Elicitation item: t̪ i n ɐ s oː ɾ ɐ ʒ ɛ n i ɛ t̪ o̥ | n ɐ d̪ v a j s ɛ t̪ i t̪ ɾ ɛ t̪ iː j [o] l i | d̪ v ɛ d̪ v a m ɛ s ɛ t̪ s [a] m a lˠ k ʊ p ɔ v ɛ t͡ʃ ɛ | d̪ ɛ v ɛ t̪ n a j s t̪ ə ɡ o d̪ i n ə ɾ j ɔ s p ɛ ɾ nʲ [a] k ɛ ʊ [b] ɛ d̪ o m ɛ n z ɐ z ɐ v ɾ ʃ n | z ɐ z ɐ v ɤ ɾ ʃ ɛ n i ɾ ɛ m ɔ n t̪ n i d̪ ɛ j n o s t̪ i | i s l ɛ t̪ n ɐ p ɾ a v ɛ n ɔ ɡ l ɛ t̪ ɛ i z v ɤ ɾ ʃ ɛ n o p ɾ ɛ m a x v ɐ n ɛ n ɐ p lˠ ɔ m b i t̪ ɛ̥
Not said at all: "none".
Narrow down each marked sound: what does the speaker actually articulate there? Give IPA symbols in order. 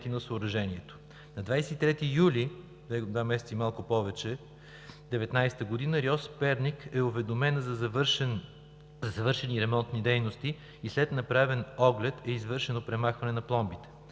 u, i, i, v

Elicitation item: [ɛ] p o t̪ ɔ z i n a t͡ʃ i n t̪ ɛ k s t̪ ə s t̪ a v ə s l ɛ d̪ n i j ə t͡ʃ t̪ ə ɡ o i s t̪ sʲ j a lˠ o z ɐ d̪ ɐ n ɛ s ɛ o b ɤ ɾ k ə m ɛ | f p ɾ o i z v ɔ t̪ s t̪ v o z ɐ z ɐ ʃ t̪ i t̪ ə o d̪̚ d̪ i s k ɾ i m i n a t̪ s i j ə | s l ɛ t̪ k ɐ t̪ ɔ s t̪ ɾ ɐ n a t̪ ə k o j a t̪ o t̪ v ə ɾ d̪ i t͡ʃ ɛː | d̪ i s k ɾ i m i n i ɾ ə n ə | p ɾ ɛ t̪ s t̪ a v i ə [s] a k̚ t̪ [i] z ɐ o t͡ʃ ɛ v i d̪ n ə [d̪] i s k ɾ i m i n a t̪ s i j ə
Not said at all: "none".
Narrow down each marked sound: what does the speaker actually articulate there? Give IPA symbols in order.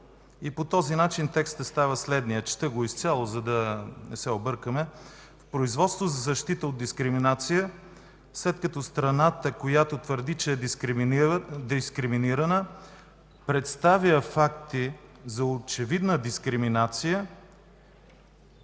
i, f, i, d̪

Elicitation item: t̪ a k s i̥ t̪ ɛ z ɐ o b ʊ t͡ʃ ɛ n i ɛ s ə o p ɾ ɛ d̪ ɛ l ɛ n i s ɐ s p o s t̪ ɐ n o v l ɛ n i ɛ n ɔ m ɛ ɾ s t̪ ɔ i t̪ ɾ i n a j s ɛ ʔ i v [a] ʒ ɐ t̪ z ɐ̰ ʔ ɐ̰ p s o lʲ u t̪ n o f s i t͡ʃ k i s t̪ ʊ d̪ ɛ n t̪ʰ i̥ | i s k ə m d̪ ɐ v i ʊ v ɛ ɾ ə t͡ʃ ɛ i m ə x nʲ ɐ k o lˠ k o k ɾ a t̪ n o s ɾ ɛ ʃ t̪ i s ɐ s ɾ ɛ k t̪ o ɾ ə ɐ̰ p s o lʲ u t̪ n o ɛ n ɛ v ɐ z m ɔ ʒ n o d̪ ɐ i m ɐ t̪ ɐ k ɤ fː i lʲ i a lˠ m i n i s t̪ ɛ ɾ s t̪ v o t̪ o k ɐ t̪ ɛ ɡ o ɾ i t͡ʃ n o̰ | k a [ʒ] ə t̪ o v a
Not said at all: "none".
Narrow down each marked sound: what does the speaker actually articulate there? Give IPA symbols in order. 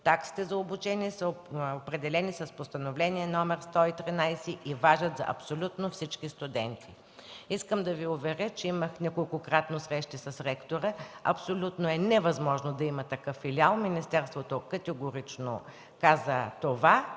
a, z

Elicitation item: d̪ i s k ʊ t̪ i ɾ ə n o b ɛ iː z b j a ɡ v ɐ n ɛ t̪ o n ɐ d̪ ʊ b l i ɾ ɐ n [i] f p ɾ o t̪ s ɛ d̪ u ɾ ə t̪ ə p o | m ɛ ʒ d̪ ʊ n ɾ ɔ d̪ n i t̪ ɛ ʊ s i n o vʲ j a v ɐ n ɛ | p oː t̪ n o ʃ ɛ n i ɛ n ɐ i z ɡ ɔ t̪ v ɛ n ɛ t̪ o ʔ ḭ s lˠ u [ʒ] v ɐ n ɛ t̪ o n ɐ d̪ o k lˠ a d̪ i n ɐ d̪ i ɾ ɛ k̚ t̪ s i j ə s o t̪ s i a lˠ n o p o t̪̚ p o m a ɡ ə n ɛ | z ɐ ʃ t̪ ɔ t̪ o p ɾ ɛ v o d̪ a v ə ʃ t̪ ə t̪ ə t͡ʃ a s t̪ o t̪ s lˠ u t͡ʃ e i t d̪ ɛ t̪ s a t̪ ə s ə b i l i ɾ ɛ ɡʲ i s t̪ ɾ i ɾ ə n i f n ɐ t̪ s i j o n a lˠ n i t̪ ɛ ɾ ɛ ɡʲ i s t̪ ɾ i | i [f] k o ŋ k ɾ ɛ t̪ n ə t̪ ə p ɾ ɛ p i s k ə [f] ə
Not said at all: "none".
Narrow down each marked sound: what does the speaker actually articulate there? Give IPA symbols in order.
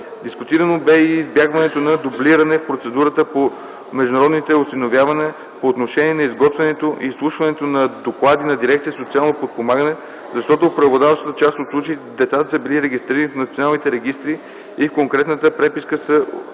ɛ, ʃ, f, s

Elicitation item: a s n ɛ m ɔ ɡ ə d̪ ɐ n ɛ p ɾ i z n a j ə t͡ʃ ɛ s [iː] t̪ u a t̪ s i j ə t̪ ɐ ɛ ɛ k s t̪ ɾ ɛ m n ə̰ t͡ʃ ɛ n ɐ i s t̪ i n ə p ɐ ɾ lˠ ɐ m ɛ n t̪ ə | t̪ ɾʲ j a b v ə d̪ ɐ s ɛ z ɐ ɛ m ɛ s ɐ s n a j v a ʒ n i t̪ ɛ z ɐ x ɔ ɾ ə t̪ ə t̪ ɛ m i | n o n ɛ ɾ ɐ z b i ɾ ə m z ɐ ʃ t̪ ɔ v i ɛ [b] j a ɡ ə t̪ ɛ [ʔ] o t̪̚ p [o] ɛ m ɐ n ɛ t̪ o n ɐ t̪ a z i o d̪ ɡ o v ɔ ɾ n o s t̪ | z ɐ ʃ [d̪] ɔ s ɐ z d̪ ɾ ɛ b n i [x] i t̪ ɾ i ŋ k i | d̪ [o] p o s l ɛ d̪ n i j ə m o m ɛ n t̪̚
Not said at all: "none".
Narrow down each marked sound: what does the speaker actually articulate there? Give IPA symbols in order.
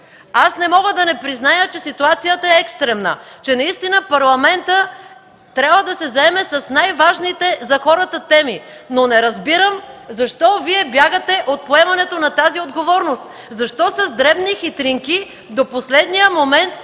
i, b, ʔ, o, t̪, x, o

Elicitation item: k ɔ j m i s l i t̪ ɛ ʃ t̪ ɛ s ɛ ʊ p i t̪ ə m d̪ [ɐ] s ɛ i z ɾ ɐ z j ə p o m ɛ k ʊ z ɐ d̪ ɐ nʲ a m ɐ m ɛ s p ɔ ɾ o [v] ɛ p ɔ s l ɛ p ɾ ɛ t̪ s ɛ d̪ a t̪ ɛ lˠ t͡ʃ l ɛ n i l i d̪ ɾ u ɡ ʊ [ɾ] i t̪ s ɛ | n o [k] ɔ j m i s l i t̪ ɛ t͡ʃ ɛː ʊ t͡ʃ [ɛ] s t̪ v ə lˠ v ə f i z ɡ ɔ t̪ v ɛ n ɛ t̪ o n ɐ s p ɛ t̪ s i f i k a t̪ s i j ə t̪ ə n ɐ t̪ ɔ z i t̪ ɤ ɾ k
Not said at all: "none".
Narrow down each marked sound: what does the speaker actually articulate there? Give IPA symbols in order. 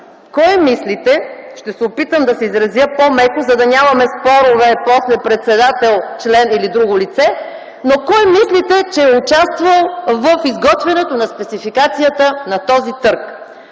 ɐ, v, l, k, a

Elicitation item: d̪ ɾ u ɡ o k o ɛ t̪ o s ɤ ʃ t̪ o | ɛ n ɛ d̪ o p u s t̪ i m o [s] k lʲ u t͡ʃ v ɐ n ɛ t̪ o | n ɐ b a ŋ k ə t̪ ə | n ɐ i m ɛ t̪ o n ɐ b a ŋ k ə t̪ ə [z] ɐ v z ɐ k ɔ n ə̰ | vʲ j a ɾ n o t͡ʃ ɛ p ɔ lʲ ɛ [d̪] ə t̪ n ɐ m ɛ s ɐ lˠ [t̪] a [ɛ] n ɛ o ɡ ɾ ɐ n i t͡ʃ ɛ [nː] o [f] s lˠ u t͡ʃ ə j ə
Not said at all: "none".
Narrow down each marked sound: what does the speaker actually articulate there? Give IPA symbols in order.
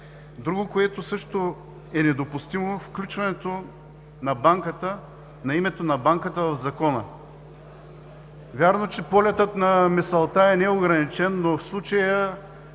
f, v, t̪, t̪, ɛ, nː, f

